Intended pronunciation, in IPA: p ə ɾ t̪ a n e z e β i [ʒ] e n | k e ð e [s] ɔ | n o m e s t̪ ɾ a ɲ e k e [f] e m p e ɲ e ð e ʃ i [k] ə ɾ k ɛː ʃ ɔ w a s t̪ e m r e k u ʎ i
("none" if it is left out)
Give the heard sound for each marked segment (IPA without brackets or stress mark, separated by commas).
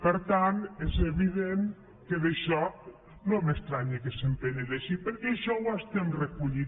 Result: ð, ʃ, s, p